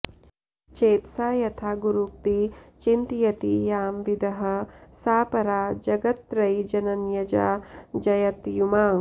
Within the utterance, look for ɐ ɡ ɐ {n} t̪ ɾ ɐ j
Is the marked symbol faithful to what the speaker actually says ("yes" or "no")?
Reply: no